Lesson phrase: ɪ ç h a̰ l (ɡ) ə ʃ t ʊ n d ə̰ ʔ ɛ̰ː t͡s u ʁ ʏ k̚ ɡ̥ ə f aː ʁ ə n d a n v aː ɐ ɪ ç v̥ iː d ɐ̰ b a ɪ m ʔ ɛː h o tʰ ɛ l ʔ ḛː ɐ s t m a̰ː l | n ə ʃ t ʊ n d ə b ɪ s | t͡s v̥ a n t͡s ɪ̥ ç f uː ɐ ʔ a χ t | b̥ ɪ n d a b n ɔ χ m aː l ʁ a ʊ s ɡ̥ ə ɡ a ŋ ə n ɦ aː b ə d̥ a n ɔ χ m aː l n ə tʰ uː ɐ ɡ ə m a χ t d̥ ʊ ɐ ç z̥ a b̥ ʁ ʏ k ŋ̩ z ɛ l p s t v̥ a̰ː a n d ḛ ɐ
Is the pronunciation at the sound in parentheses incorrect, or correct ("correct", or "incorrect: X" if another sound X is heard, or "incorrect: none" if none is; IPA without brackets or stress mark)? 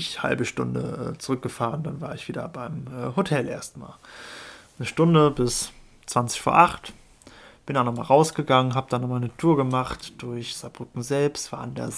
incorrect: b